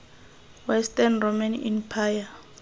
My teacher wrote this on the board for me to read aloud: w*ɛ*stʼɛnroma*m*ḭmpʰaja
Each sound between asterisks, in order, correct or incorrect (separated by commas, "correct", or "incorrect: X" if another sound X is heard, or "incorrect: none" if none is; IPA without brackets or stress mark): correct, incorrect: n